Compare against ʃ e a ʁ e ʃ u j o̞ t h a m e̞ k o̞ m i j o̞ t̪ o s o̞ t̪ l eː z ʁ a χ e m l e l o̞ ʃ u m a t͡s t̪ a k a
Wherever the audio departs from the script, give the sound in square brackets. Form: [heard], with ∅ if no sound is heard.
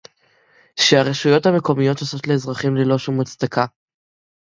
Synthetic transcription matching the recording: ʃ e a ʁ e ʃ u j o̞ t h a m e̞ k o̞ m i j o̞ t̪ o s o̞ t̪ l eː z ʁ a χ [i] m l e l o̞ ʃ u m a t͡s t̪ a k a